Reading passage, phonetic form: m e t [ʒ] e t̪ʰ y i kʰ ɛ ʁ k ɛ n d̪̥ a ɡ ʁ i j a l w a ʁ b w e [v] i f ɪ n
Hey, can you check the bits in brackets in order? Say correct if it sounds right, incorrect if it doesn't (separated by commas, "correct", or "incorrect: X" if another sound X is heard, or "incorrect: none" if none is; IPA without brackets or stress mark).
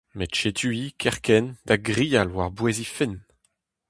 incorrect: ʃ, incorrect: z